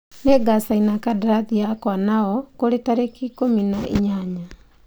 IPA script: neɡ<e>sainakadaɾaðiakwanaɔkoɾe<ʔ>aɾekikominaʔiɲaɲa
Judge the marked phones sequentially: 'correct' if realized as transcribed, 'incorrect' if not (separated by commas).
incorrect, incorrect